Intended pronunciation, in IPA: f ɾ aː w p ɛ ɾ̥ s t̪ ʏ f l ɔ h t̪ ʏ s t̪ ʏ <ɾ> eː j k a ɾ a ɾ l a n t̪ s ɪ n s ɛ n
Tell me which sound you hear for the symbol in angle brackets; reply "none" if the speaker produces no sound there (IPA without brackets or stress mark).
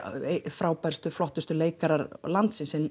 l